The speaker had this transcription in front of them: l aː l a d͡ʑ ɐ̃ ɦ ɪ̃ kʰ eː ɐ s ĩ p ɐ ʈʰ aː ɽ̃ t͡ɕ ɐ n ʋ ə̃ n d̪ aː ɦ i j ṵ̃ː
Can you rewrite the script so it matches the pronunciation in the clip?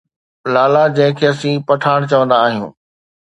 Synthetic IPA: l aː l a d͡ʑ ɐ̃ ɦ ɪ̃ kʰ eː ɐ s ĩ p ɐ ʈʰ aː ɽ̃ t͡ɕ ɐ ʋ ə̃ n d̪ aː ɦ i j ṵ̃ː